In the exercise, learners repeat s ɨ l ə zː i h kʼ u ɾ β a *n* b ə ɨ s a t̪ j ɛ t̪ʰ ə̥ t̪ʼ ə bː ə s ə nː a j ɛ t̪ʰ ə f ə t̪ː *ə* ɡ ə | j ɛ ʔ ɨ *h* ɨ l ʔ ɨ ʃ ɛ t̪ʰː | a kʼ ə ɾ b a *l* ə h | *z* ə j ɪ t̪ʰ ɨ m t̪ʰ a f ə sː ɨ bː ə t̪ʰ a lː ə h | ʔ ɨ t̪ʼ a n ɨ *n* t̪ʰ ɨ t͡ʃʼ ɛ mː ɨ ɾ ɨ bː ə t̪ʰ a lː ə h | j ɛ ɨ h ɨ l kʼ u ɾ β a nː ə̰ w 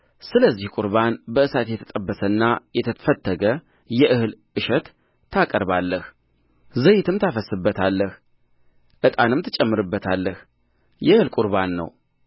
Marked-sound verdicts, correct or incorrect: correct, correct, correct, incorrect: lː, correct, incorrect: m

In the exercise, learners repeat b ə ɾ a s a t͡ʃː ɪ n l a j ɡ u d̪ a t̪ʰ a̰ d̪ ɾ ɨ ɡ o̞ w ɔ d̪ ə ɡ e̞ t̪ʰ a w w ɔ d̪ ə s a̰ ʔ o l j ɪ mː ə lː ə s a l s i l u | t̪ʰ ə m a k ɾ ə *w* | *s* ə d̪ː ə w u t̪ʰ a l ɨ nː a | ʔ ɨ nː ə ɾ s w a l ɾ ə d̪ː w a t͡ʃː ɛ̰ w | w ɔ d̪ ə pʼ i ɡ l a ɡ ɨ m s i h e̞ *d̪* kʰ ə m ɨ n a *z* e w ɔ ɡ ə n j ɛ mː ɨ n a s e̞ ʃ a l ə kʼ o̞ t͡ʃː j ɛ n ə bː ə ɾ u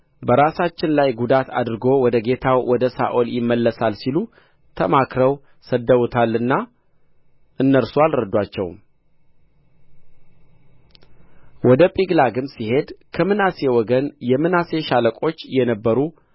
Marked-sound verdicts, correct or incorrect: correct, correct, correct, incorrect: s

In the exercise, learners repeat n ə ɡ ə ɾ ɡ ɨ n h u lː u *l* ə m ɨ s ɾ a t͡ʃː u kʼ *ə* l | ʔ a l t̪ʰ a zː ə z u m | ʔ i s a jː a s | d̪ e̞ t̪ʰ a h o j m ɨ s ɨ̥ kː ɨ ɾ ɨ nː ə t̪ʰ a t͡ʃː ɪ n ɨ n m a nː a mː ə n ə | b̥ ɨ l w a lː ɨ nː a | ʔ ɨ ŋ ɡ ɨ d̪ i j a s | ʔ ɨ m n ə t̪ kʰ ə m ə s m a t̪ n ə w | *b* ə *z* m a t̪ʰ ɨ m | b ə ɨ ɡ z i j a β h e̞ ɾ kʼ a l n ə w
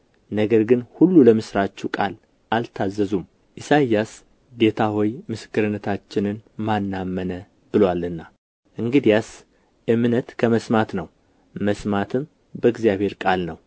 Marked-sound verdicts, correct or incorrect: correct, incorrect: a, incorrect: m, incorrect: s

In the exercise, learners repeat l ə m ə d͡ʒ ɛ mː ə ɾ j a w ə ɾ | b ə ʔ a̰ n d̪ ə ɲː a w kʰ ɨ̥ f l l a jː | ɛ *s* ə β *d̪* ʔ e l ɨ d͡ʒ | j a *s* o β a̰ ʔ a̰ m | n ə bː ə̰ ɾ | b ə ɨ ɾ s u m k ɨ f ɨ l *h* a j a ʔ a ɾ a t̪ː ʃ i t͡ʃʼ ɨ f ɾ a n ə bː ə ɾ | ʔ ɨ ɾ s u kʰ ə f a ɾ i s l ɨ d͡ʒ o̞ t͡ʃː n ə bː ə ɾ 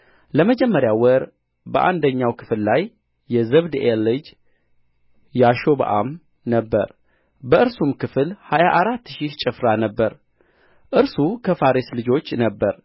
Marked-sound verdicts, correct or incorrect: incorrect: z, correct, incorrect: ʃ, correct

